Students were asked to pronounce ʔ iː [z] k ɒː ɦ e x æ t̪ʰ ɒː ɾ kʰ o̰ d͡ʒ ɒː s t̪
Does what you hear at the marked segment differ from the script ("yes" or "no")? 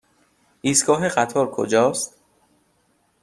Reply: yes